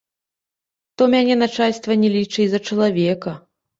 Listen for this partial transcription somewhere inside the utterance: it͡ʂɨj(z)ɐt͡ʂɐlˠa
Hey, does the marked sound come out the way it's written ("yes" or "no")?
yes